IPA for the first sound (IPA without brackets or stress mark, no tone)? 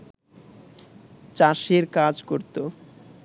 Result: t͡ɕ